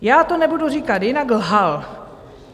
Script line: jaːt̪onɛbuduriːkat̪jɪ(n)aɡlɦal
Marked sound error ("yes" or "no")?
no